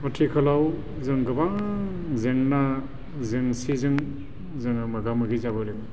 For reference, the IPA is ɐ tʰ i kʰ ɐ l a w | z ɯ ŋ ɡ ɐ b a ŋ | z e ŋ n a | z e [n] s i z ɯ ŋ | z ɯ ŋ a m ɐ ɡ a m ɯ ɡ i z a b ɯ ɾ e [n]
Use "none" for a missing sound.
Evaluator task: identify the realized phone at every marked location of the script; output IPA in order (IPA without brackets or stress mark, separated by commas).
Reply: ŋ, ŋ